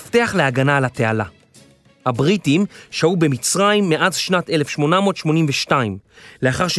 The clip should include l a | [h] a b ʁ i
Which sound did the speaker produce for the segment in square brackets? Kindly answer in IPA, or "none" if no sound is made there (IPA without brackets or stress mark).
h